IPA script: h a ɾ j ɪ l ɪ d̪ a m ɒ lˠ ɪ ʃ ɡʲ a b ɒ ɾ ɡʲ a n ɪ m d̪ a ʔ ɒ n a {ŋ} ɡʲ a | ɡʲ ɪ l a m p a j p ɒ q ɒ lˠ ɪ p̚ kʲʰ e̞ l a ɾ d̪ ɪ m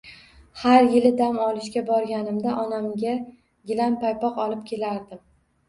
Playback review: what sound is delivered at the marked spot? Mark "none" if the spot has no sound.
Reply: m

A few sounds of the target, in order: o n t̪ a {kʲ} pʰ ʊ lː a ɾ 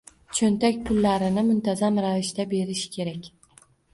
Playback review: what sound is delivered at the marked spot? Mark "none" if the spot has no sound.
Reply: kʲ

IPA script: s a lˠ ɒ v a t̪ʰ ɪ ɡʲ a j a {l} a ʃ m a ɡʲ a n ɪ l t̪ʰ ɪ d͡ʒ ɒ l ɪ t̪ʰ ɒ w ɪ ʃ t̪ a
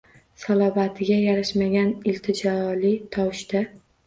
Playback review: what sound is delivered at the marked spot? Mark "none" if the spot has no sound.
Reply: ɾ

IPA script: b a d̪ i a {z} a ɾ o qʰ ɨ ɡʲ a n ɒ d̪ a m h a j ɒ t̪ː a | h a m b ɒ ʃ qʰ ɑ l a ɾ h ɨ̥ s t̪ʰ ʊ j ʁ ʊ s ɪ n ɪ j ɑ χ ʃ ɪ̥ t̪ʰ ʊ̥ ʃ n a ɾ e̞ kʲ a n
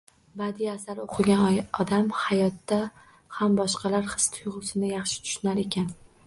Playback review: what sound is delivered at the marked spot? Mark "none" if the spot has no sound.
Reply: s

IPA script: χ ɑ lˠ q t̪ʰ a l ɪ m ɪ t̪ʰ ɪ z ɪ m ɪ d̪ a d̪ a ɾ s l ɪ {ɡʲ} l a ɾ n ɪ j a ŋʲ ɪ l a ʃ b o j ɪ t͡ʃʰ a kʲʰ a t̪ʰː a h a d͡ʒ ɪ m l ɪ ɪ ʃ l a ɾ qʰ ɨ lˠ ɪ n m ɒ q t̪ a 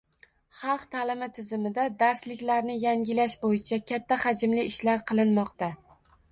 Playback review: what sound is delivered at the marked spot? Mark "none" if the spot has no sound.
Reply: kʲ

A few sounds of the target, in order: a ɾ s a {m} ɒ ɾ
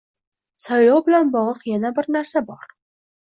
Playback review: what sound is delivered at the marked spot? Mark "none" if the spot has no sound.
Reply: b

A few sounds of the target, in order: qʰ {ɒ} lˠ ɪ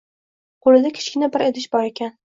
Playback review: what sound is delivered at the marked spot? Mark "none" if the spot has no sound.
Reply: o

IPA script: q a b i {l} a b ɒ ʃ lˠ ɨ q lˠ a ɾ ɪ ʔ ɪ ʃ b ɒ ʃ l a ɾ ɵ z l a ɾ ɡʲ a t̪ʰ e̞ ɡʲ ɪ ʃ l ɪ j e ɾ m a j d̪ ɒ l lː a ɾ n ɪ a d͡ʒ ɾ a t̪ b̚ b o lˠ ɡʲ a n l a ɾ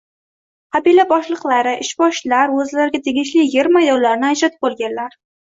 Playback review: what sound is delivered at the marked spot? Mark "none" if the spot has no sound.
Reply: l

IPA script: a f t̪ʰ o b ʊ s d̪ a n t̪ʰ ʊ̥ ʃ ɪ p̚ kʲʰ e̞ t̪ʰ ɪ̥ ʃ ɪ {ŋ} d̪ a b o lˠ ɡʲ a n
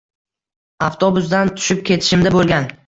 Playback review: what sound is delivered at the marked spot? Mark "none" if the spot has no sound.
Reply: m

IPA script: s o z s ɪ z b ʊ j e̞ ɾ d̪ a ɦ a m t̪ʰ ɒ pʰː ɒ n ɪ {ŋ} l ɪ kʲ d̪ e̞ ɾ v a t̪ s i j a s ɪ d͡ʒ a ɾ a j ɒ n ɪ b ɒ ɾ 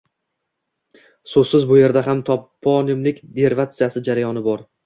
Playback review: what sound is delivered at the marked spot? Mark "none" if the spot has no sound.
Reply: m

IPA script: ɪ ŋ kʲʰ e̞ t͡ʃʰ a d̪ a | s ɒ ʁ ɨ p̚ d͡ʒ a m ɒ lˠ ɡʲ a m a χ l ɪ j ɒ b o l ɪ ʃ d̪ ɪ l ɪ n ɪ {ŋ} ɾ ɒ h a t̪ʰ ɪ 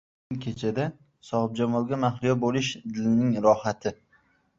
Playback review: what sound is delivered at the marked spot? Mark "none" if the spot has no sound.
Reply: ŋ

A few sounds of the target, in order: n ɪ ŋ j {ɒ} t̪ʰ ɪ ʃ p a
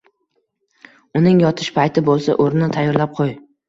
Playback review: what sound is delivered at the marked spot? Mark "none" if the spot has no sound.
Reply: ɒ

